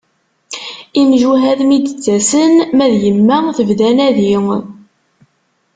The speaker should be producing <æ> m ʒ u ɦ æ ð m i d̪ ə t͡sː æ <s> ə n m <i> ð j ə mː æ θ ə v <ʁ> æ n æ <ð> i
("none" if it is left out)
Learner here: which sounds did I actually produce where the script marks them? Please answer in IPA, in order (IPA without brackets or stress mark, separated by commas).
i, s, æ, ð, ð